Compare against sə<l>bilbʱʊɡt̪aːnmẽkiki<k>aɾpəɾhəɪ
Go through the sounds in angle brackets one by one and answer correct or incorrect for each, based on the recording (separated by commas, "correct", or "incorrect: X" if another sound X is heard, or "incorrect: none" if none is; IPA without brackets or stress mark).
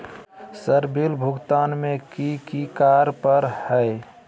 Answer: incorrect: ɾ, correct